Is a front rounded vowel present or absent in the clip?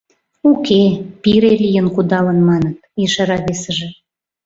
absent